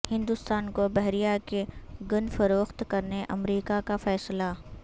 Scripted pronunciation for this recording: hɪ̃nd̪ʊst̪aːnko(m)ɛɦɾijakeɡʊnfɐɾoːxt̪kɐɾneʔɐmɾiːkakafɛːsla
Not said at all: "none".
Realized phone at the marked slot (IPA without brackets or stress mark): b